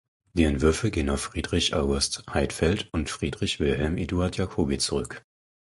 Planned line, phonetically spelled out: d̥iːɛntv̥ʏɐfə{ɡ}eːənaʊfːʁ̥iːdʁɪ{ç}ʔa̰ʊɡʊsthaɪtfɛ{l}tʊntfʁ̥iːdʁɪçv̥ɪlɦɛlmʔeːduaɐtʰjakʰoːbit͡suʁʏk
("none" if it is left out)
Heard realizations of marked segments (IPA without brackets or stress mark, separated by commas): ɡ, ç, l